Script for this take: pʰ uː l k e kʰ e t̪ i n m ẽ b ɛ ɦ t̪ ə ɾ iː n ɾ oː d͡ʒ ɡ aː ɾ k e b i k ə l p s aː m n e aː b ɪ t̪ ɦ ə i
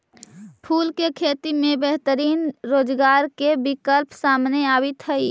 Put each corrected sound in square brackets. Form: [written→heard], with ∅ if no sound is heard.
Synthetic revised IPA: pʰ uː l k e kʰ e t̪ i [n→∅] m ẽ b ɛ ɦ t̪ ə ɾ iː n ɾ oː d͡ʒ ɡ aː ɾ k e b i k ə l p s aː m n e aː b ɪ t̪ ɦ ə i

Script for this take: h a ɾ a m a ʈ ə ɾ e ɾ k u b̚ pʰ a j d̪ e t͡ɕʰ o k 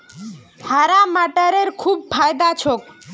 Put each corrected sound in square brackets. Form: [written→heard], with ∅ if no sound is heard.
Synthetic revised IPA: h a ɾ a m a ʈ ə ɾ e ɾ [k→kʰ] u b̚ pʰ a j d̪ [e→a] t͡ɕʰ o k

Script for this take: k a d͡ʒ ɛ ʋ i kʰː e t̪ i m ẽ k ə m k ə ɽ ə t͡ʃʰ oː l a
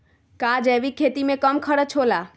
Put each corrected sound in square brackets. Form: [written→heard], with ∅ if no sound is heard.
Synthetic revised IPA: k a d͡ʒ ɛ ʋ i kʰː e t̪ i m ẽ k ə m [k→kʰ] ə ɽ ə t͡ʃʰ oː l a

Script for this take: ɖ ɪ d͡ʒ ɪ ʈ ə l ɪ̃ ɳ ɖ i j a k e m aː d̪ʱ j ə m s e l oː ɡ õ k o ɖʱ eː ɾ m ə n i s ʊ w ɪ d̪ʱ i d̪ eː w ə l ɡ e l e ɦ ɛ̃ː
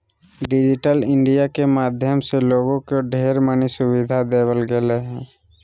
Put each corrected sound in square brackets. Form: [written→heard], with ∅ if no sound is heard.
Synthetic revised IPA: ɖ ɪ d͡ʒ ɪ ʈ ə l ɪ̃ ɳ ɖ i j a k e m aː d̪ʱ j ə m s e l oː ɡ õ k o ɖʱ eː ɾ m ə n i s ʊ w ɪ d̪ʱ [i→a] d̪ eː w ə l ɡ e l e ɦ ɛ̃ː

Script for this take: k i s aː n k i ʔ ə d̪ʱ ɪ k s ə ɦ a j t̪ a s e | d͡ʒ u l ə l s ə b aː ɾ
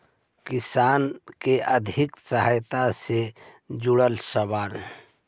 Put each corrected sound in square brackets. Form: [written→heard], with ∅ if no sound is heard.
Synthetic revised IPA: k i s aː n k [i→e] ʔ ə d̪ʱ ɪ k s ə ɦ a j t̪ a s e | d͡ʒ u [l→ɽ] ə l s ə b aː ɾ

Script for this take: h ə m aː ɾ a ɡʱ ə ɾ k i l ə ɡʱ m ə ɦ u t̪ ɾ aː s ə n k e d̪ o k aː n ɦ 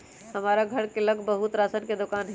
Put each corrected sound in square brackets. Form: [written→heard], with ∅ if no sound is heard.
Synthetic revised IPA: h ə m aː ɾ a ɡʱ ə ɾ k [i→e] l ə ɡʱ [m→b] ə ɦ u t̪ ɾ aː s ə n k e d̪ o k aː n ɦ

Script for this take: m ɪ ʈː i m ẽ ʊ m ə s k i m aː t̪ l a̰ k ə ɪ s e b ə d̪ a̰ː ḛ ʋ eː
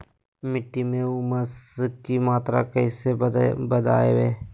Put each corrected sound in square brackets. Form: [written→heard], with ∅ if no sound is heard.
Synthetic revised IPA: m ɪ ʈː i m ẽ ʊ m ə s k i m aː t̪ [l→ɾ] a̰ k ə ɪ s e b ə d̪ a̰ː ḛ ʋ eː

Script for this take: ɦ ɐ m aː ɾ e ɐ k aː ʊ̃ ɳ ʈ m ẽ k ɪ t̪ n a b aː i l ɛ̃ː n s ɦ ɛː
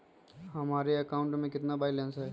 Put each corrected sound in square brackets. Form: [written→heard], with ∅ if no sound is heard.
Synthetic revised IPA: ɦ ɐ m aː ɾ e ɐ k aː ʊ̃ ɳ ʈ m ẽ k ɪ t̪ n a b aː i l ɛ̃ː n s ɦ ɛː

